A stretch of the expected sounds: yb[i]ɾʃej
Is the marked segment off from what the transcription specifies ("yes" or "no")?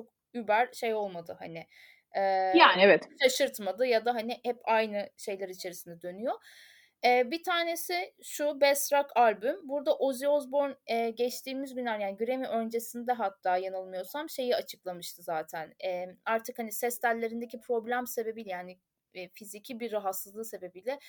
yes